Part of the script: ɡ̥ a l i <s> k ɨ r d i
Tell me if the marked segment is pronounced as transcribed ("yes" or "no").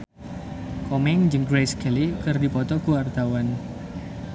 no